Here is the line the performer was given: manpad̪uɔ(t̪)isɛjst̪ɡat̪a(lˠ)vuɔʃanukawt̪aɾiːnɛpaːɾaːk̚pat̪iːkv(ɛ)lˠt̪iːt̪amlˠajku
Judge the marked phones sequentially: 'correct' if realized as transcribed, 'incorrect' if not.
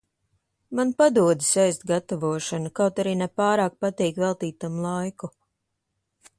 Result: incorrect: d̪, incorrect: none, correct

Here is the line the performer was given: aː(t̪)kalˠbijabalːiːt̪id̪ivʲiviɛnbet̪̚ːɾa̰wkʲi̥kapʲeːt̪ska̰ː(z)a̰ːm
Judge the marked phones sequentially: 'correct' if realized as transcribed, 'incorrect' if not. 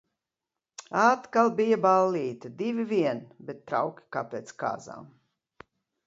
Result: correct, correct

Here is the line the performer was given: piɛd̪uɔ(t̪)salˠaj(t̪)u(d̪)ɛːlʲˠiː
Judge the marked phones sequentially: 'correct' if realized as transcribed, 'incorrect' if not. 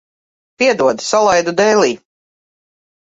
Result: incorrect: d̪, incorrect: d̪, correct

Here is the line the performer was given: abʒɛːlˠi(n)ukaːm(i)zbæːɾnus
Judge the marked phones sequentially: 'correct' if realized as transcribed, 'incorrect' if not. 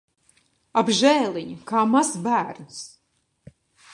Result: incorrect: ɲ, incorrect: a

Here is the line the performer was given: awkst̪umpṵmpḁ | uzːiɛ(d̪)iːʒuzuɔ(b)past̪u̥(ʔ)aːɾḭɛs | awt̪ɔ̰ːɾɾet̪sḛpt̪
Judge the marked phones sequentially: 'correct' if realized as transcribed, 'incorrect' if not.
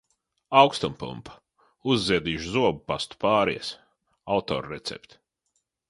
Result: correct, correct, incorrect: p

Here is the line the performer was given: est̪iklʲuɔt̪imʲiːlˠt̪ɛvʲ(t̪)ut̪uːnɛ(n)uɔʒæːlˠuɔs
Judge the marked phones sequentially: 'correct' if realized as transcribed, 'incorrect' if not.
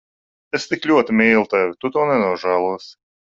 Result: correct, correct

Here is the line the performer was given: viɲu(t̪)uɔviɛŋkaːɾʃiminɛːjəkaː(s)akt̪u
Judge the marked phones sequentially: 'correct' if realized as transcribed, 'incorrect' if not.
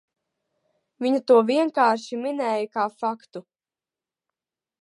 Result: correct, incorrect: f

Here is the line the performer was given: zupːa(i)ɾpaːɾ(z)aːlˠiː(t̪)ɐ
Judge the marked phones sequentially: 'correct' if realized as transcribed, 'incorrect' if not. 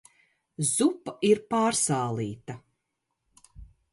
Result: correct, incorrect: s, correct

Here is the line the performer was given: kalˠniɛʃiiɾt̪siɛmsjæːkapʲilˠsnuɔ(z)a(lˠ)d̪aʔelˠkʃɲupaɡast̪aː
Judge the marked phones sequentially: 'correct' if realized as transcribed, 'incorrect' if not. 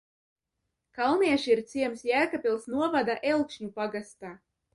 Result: incorrect: v, incorrect: none

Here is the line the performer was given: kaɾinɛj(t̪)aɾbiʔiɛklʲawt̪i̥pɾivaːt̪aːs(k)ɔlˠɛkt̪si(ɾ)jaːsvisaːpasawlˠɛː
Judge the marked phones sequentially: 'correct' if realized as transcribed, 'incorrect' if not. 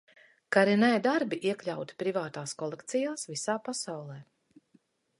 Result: incorrect: d̪, correct, incorrect: none

